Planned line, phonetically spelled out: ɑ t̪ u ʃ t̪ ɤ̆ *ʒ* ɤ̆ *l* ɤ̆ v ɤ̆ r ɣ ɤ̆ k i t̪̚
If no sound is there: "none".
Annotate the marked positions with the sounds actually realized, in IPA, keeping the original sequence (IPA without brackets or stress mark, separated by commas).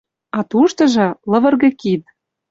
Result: ʒ, l